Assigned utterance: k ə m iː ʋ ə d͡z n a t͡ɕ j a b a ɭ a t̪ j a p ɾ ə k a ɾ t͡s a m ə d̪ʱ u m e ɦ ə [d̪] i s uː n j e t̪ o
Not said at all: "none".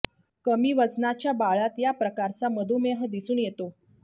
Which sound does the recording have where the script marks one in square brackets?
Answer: d̪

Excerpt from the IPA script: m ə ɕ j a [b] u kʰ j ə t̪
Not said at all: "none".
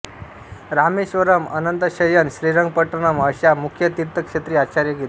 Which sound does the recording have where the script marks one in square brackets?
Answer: m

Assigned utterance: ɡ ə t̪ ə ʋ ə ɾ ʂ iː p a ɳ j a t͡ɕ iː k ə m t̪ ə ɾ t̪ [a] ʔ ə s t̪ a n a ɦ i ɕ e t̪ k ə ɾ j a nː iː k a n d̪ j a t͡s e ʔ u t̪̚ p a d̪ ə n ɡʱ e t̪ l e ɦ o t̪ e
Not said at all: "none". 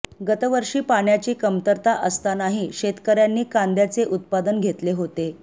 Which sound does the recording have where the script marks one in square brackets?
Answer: a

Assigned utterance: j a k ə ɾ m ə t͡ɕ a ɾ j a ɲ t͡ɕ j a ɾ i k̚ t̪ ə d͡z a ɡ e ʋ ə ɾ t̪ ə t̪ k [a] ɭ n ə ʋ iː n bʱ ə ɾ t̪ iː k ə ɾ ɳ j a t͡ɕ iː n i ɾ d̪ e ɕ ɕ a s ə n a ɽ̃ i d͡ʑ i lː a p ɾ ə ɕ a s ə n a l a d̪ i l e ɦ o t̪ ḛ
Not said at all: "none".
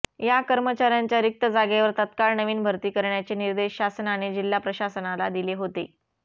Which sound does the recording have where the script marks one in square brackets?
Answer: a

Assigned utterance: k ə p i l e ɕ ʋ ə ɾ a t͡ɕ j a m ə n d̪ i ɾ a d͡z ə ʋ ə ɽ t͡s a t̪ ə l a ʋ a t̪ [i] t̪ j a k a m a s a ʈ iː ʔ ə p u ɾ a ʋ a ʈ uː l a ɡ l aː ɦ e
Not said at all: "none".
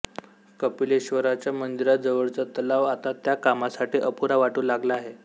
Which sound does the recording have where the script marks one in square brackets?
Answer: a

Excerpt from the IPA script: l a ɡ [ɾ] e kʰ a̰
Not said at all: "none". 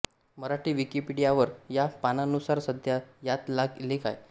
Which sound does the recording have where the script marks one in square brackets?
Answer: l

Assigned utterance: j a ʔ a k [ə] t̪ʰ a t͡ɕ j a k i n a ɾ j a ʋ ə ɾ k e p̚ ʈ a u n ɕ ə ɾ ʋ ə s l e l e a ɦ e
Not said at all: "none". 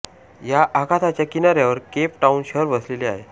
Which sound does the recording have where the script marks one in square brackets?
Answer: a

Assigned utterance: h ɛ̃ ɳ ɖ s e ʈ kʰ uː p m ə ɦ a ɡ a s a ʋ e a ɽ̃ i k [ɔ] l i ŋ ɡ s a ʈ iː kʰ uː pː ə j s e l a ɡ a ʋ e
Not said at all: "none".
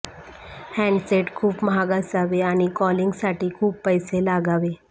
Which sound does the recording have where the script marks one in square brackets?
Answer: ɔ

